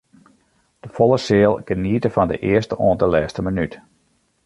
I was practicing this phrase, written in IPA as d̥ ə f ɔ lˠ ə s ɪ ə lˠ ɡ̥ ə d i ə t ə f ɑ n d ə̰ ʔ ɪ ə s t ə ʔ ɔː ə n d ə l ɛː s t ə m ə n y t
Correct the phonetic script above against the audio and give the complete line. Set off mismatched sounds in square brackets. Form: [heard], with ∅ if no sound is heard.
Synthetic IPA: d̥ ə f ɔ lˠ ə s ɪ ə lˠ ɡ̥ ə [n] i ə t ə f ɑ n d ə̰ ʔ ɪ ə s t ə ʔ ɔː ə n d ə l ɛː s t ə m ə n y t